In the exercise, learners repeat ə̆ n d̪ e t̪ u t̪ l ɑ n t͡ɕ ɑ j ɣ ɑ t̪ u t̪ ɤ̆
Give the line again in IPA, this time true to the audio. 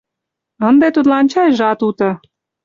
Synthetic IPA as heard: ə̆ n d̪ e t̪ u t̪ l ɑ n t͡ɕ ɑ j ʒ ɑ t̪ u t̪ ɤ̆